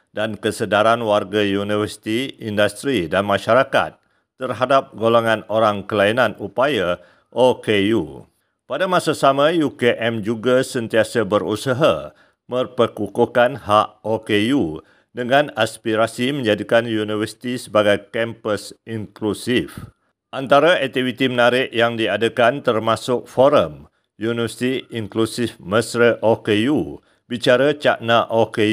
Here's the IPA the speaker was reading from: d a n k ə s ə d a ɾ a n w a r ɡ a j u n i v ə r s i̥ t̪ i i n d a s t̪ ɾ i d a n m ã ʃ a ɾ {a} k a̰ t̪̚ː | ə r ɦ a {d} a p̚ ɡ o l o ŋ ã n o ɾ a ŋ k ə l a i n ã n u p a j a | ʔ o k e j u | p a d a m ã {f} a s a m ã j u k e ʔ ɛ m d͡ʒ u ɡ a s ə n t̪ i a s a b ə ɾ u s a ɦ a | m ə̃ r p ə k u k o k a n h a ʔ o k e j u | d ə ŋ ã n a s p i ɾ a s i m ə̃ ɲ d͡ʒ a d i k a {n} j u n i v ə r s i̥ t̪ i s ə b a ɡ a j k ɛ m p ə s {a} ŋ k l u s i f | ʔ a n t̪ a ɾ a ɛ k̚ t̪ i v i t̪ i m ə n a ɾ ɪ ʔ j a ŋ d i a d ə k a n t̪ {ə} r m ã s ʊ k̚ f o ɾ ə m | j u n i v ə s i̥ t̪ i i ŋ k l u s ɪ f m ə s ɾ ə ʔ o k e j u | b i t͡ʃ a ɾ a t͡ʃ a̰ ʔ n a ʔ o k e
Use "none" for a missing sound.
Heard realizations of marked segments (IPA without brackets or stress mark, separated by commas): a, d, s, n, i, ə